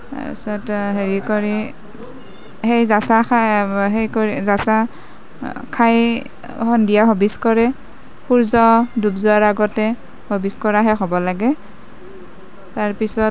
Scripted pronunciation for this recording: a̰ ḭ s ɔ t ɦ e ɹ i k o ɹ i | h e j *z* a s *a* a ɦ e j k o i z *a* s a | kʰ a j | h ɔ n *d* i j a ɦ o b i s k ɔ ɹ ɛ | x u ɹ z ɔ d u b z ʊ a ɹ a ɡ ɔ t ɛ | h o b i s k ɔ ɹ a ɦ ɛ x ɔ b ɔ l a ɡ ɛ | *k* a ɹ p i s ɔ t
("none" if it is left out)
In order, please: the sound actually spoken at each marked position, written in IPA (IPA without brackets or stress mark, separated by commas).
z, a, a, d, t